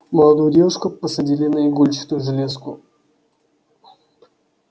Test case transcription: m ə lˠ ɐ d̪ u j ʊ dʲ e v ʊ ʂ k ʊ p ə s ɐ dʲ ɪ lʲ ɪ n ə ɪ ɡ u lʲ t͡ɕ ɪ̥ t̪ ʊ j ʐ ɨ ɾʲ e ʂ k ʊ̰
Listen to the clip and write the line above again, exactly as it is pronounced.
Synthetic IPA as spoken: m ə lˠ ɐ d̪ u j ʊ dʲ e v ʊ ʂ k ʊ p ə s ɐ dʲ i lʲ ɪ n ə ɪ ɡ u lʲ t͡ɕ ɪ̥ t̪ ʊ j ʐ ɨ lʲ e s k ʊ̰